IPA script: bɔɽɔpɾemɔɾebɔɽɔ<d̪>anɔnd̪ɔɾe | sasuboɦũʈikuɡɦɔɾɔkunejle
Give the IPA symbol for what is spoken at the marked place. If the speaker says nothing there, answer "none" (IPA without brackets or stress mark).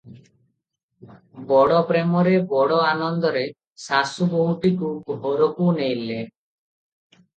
none